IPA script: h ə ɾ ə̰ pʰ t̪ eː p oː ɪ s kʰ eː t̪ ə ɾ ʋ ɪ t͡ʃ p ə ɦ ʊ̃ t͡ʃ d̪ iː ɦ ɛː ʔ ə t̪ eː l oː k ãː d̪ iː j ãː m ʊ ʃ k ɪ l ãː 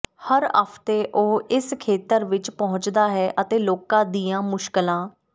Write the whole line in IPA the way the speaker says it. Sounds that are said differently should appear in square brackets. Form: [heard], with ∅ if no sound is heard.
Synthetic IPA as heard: h ə ɾ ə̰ pʰ t̪ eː [ʔ] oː ɪ s kʰ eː t̪ ə ɾ ʋ ɪ t͡ʃ p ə ɦ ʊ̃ t͡ʃ d̪ [aː] ɦ ɛː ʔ ə t̪ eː l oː k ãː d̪ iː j ãː m ʊ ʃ k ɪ l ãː